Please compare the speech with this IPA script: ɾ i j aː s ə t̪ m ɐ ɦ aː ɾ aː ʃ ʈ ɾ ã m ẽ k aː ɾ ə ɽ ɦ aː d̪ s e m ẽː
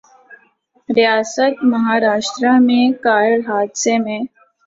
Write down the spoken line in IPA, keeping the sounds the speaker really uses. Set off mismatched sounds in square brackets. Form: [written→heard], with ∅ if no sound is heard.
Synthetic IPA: ɾ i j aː s ə t̪ m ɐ ɦ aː ɾ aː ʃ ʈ ɾ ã m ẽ k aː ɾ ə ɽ ɦ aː d̪ s e m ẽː